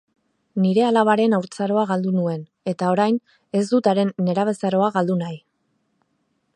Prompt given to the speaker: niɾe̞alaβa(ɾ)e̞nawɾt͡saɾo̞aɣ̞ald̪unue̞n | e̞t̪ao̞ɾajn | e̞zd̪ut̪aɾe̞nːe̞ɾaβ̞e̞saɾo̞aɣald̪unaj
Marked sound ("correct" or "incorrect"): correct